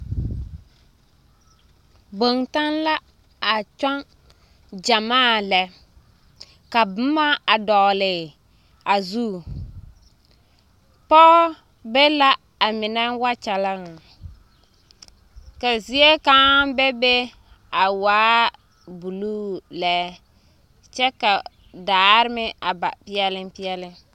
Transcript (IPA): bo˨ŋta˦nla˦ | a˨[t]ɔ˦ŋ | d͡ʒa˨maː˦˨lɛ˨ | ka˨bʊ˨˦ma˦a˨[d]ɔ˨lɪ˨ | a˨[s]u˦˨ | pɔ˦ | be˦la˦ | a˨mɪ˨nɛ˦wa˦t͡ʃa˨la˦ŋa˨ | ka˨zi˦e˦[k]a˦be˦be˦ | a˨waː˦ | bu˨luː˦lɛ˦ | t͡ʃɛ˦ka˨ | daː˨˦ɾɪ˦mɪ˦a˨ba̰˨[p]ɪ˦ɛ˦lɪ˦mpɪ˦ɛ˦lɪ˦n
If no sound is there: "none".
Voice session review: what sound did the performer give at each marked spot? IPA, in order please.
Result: t͡ʃ, d, z, k, p

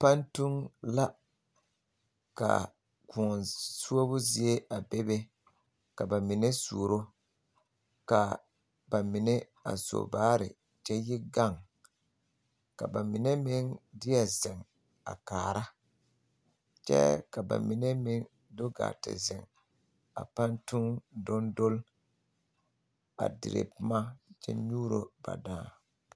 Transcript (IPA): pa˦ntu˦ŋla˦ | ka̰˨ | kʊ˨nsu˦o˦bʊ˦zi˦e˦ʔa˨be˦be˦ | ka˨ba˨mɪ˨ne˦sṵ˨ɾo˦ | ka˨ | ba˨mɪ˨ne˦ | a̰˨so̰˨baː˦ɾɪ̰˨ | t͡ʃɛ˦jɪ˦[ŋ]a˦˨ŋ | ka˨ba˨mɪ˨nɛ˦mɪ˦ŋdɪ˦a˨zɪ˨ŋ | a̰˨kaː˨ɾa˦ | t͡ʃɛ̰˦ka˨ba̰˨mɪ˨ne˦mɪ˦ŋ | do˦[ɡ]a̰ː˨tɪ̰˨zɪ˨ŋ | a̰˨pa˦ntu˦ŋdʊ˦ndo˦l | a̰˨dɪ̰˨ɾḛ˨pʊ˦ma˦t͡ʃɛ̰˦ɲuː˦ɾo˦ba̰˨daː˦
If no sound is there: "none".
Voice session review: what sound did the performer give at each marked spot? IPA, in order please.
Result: ɡ, ɡ

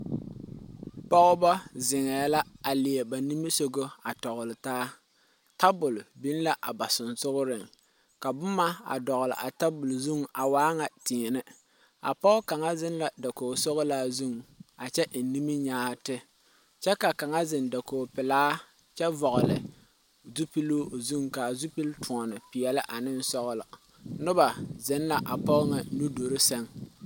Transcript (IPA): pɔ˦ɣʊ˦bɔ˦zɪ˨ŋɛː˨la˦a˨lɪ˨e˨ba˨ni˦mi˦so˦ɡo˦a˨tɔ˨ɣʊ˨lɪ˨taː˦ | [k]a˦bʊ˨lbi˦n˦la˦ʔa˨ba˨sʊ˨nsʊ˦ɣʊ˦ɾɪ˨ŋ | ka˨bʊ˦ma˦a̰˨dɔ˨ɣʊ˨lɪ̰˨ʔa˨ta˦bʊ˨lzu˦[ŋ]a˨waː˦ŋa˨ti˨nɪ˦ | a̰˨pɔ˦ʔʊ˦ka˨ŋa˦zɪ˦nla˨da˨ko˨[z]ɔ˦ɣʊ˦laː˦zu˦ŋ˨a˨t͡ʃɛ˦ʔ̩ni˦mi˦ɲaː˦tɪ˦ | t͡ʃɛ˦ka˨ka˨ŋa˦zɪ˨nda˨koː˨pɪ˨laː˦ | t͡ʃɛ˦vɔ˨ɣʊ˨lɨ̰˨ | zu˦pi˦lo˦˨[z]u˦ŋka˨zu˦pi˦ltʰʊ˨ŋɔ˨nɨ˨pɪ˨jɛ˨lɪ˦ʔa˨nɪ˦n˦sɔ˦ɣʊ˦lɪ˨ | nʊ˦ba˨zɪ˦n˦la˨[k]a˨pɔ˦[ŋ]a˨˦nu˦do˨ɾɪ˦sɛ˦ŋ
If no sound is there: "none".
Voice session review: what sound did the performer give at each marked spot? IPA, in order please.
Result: t, ŋ, s, z, ʔ, ŋ

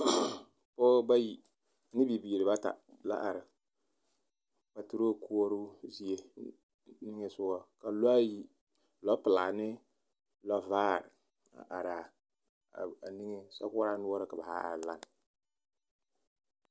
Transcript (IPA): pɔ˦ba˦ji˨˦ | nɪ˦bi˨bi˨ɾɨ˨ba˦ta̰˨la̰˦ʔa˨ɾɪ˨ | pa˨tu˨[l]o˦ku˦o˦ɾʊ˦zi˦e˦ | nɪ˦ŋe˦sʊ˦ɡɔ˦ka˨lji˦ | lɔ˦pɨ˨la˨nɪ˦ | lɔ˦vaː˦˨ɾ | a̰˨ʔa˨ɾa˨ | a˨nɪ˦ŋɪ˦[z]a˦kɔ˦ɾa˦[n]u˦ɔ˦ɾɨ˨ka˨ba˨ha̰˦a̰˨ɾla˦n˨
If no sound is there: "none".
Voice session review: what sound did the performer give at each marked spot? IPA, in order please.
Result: ɾ, s, n

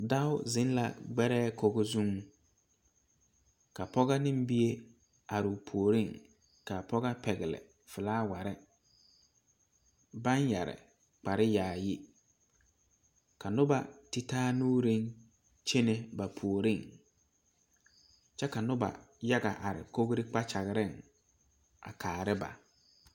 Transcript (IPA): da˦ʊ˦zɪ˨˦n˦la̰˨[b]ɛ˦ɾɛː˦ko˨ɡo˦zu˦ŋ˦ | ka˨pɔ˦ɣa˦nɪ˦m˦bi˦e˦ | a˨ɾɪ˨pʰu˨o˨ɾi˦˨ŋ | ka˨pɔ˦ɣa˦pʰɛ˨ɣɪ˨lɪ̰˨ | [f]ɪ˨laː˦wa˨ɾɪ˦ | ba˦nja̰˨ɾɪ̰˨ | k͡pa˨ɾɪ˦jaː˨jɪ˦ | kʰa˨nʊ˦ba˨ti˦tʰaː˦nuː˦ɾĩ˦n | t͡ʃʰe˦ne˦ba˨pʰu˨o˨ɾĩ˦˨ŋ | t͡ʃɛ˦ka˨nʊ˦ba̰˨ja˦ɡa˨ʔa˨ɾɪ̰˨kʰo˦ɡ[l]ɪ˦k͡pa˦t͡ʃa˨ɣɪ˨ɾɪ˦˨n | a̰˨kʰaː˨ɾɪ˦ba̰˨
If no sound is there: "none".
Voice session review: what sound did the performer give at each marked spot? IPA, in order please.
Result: ɡ͡b, f, ɾ

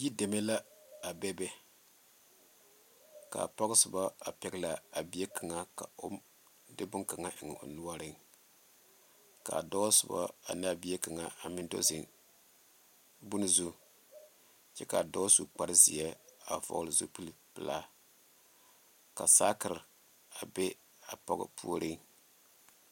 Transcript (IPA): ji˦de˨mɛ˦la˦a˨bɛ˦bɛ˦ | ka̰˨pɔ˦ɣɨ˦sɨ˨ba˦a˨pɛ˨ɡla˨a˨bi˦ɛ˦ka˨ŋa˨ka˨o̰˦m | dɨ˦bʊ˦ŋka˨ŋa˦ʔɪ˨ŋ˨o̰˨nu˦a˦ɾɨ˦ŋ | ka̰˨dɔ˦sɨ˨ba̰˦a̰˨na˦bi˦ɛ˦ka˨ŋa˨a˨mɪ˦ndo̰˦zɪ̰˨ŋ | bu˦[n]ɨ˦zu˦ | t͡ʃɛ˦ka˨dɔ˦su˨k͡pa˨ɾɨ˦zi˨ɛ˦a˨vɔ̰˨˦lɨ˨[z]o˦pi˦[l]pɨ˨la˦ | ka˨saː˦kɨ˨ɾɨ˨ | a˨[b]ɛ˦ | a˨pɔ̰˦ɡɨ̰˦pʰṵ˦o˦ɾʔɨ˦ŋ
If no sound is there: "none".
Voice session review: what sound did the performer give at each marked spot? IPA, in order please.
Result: n, z, l, b

